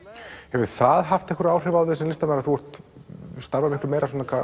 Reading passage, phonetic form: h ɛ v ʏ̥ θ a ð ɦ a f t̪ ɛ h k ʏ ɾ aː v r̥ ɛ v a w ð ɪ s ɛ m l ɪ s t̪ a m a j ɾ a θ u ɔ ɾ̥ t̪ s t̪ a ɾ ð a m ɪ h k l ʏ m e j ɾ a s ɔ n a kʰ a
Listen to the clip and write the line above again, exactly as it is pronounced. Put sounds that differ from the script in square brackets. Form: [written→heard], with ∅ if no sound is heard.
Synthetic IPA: h ɛ v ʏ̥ θ a ð ɦ a f t̪ ɛ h k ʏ ɾ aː [v→w] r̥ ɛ v a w ð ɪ s ɛ m l ɪ s t̪ a m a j ɾ a θ u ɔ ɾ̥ t̪ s t̪ a ɾ [ð→v] a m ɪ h k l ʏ m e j ɾ a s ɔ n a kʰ a